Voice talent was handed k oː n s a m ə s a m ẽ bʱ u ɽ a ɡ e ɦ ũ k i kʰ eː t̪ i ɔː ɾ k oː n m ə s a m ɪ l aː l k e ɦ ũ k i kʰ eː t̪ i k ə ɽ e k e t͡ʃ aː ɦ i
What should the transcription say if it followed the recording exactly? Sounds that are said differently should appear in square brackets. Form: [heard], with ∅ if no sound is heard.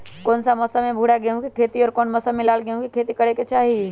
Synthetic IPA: k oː n s a m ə s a m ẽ bʱ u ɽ a ɡ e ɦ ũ k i kʰ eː t̪ i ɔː ɾ k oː n m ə s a m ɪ l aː l [ɡ] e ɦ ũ k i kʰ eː t̪ i k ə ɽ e k e t͡ʃ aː ɦ i

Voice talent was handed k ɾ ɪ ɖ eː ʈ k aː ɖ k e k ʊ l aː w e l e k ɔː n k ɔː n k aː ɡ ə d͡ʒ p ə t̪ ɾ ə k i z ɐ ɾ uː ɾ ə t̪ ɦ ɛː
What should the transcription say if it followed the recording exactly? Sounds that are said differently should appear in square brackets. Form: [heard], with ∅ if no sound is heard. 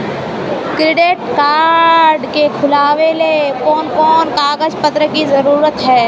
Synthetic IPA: k ɾ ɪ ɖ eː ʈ k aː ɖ k e [kʰ] ʊ l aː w e l e k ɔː n k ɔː n k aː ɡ ə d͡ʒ p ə t̪ ɾ ə k i z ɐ ɾ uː ɾ ə t̪ ɦ ɛː

